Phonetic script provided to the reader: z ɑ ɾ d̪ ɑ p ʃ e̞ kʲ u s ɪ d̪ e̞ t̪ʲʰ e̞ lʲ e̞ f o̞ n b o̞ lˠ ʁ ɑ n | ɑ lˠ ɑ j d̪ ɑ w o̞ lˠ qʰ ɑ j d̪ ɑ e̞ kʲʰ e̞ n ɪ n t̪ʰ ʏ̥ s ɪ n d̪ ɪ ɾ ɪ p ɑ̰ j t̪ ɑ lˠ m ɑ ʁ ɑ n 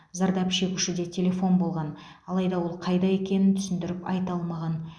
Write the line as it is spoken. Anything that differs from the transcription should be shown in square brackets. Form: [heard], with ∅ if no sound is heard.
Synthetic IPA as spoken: z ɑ ɾ d̪ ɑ p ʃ e̞ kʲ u [ʃ] ɪ d̪ e̞ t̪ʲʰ e̞ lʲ e̞ f o̞ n b o̞ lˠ ʁ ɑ n | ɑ lˠ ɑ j d̪ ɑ w o̞ lˠ qʰ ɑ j d̪ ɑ e̞ [kʲ] e̞ n ɪ n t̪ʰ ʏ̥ s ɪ n d̪ ɪ ɾ ɪ p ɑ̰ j t̪ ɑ lˠ m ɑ ʁ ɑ n